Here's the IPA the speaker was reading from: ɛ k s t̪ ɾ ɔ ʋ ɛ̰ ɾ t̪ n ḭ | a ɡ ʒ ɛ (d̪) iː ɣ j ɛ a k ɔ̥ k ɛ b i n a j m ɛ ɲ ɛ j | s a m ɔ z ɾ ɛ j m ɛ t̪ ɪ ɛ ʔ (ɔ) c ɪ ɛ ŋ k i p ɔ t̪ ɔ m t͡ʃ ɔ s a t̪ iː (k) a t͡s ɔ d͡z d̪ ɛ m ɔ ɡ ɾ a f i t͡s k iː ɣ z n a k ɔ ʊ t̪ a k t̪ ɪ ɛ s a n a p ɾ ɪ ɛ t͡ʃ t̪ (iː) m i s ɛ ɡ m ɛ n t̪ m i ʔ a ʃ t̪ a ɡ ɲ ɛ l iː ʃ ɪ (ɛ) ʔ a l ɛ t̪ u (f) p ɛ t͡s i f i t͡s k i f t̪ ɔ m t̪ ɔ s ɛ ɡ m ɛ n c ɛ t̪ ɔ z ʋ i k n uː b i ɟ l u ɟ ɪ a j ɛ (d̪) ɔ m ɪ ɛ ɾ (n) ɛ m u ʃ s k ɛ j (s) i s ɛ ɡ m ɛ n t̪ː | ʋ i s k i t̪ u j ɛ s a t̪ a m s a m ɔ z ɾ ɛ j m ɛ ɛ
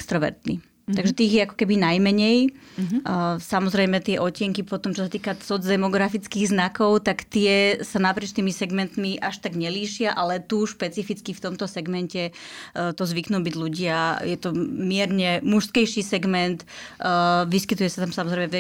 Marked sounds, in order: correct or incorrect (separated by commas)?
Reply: incorrect, correct, correct, correct, incorrect, incorrect, incorrect, incorrect, incorrect